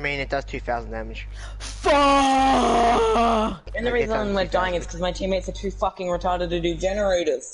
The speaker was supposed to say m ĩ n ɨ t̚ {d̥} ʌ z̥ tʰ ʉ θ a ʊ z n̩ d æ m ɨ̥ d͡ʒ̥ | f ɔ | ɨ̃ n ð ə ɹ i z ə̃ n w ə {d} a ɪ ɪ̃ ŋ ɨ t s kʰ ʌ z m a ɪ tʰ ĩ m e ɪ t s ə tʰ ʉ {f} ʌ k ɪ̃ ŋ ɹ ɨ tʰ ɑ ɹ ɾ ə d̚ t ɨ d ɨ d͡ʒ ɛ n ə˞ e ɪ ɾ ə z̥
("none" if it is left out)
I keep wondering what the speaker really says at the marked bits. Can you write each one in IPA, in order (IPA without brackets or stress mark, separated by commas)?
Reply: d̥, d, f